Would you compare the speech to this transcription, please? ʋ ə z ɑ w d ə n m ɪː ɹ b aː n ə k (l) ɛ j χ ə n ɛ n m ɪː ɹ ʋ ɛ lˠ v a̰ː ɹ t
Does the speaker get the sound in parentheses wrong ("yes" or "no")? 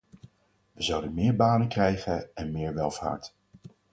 yes